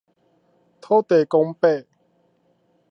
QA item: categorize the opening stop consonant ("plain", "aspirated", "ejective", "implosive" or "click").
aspirated